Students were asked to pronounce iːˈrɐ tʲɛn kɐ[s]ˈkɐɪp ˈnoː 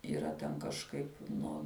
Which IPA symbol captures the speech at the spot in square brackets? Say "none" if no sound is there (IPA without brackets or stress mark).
ʃ